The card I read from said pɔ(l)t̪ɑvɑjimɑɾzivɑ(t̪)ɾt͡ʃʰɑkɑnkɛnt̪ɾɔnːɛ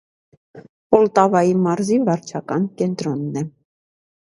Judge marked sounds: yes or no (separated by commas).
yes, no